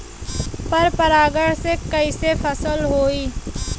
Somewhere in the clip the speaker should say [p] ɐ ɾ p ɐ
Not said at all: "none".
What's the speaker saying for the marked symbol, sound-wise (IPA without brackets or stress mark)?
p